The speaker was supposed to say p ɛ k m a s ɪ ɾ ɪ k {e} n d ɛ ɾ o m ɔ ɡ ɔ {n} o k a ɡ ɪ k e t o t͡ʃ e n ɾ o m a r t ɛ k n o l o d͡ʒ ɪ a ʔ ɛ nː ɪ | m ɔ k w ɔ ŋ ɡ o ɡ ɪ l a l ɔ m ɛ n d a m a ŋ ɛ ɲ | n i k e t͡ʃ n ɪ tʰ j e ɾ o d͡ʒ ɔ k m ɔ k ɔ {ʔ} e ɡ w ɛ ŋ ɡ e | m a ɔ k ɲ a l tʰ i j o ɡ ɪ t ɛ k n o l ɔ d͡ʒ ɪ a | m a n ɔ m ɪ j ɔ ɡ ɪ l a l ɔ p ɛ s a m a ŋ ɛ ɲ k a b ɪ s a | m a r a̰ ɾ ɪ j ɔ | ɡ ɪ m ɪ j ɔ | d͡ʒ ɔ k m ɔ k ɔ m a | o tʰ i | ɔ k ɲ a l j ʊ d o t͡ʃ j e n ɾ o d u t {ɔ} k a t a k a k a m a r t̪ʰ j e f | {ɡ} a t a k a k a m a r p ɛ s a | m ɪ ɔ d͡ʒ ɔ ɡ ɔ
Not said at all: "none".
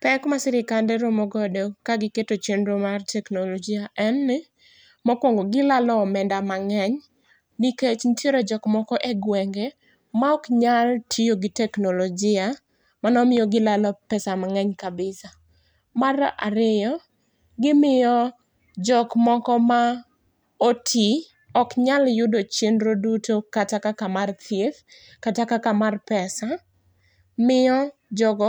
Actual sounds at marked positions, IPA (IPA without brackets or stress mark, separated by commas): a, d, ʔ, o, k